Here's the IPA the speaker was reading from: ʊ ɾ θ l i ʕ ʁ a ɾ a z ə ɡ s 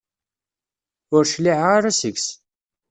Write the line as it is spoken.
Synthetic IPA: ʊ ɾ ʃ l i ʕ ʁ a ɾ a s ə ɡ s